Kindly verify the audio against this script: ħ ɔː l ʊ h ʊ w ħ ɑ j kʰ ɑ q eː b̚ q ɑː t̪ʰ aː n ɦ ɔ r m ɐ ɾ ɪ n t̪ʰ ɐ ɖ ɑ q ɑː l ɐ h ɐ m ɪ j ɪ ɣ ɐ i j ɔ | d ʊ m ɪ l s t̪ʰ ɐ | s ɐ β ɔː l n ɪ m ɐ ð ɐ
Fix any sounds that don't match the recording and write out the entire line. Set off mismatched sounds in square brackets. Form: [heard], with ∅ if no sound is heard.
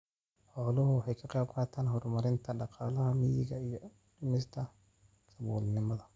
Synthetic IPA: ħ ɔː l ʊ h ʊ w ħ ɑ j kʰ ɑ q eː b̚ q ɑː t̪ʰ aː n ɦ ɔ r m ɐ ɾ ɪ n t̪ʰ ɐ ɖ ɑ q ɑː l ɐ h ɐ m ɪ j ɪ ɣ ɐ i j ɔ | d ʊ m ɪ [∅] s t̪ʰ ɐ | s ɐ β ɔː l n ɪ m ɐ ð ɐ